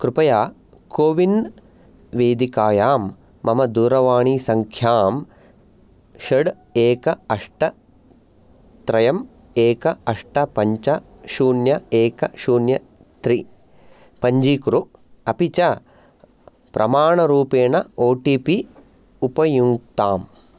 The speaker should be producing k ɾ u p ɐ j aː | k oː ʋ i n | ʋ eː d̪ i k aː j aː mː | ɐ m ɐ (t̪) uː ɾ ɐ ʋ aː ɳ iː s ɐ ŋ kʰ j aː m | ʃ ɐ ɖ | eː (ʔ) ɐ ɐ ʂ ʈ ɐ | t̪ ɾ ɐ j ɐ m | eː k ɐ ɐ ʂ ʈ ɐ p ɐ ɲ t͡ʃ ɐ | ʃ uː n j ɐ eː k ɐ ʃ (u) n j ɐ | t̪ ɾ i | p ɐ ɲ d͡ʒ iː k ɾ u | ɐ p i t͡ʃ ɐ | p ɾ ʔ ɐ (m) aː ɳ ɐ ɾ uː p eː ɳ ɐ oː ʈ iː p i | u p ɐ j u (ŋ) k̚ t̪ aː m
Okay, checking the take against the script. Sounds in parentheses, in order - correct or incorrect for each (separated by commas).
incorrect, incorrect, incorrect, correct, correct